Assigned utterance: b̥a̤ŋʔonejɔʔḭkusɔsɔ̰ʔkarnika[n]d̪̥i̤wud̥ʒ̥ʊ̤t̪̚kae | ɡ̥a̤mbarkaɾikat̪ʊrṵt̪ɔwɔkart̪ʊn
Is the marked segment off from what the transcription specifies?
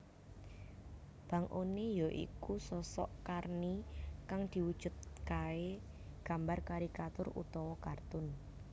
yes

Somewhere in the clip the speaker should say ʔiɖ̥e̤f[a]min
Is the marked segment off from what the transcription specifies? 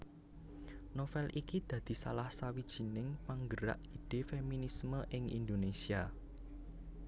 yes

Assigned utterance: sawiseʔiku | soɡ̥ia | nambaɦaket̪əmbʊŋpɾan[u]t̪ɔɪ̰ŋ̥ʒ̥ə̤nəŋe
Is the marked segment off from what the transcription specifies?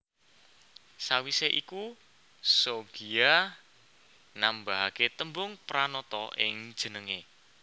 yes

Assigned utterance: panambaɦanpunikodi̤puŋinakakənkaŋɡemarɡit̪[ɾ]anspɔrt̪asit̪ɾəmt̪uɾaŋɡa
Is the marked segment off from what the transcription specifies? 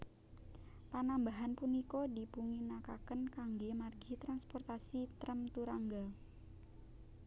no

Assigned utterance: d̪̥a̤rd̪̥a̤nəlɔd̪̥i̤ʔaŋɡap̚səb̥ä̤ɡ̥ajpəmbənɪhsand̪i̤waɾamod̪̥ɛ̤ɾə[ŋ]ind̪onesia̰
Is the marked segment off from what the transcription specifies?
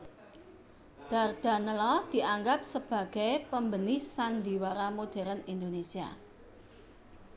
yes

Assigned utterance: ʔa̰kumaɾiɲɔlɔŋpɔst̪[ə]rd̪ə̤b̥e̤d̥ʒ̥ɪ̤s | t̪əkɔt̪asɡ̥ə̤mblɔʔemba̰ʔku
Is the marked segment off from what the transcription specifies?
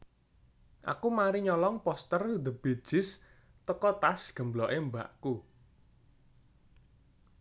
no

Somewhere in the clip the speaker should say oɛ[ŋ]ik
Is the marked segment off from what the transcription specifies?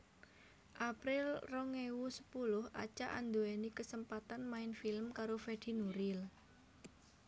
yes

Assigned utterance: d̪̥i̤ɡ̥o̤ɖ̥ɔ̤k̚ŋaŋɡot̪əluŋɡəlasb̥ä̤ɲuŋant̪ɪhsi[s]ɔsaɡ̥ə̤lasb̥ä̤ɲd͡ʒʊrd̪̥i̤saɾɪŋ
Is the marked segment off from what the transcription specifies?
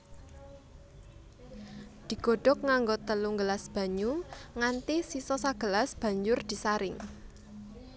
no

